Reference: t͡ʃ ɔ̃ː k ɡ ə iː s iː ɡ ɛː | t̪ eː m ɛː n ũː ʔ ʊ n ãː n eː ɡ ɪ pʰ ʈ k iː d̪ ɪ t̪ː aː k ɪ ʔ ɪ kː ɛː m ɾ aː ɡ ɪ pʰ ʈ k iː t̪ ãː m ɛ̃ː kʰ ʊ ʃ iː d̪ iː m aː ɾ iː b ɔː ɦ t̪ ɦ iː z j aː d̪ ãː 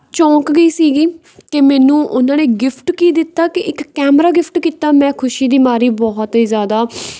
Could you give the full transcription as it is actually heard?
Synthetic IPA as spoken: t͡ʃ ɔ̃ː k ɡ ə iː s iː ɡ iː | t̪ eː m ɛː n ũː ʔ ʊ n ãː n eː ɡ ɪ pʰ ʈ k iː d̪ ɪ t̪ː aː k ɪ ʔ ɪ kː ɛː m ɾ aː ɡ ɪ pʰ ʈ k iː t̪ aː m ɛ̃ː kʰ ʊ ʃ iː d̪ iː m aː ɾ iː b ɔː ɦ t̪ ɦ iː z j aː d̪ aː